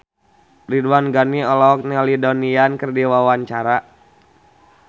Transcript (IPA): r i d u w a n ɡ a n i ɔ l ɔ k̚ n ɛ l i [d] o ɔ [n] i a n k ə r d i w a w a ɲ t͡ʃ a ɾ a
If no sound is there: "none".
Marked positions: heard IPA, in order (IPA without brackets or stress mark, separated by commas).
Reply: d, n